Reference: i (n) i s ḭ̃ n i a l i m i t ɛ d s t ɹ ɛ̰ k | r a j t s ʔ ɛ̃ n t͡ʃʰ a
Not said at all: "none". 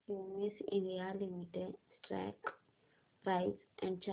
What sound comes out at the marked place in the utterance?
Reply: m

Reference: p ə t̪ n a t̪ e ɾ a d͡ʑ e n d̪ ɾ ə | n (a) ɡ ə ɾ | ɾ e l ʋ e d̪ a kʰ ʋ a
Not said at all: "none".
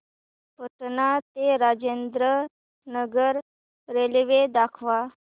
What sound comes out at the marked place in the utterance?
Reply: ə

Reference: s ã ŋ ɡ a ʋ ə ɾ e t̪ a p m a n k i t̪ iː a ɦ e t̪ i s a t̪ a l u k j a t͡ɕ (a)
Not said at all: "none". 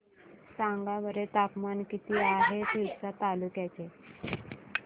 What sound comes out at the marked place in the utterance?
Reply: e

